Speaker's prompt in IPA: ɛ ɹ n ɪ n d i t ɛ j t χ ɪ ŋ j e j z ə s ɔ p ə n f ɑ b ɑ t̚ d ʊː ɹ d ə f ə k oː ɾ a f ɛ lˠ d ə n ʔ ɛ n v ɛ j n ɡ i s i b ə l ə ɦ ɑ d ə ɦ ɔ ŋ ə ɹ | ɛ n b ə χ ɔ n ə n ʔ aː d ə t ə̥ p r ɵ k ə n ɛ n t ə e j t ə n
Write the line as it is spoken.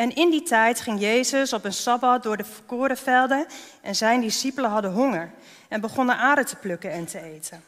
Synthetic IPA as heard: ɛ n ɪ n d i t ɛ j t χ ɪ ŋ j e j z ə s ɔ p ə n s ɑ b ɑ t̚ d ʊː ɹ d ə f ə k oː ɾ ə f ɛ lˠ d ə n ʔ ɛ n z ɛ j n d i s i p ə l ə ɦ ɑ d ə ɦ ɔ ŋ ə ɹ | ɛ n b ə χ ɔ n ə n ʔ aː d ə t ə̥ p l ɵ k ə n ɛ n t ə e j t ə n